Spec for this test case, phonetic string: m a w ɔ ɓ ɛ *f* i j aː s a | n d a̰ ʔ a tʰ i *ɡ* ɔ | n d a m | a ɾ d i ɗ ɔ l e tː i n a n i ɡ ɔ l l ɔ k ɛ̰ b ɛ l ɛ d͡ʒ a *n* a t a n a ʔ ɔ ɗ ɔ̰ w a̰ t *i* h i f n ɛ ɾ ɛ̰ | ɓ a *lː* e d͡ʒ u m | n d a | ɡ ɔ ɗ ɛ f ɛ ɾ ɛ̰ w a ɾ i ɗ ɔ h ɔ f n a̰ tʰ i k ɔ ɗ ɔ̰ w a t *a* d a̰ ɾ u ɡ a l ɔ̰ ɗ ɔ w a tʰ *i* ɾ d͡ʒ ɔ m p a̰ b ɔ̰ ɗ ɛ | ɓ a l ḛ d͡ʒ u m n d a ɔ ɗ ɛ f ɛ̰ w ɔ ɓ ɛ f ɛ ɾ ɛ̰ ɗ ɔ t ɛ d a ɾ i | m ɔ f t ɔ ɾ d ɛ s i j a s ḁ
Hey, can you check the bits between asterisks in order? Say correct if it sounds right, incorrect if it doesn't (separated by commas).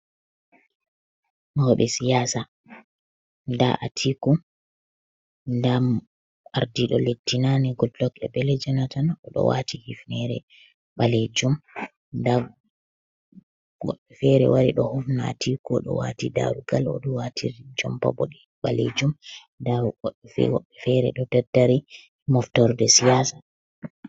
incorrect, incorrect, correct, correct, incorrect, incorrect, correct